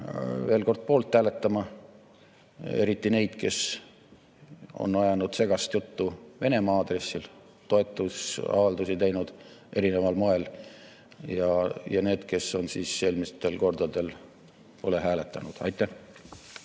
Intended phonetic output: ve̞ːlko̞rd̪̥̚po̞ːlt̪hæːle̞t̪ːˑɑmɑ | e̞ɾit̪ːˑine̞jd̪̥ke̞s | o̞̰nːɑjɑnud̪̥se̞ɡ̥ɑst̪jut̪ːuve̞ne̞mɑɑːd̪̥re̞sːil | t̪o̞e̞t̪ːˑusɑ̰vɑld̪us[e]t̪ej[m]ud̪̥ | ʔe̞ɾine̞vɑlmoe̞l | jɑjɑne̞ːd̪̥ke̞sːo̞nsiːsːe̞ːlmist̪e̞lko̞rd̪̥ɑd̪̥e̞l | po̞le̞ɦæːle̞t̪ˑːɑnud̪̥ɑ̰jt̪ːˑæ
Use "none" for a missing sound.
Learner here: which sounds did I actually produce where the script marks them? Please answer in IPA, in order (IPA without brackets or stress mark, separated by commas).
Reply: i, n